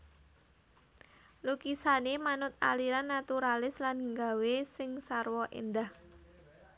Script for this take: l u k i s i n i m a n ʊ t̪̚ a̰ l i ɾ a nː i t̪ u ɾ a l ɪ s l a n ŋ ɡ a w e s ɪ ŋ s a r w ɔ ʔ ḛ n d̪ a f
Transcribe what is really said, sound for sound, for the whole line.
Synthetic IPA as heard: l u k i s a n e m a n ʊ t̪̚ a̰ l i ɾ a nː a t̪ u ɾ a l ɪ s l a n ŋ ɡ a w e s ɪ ŋ s a r w ɔ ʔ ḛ n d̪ a h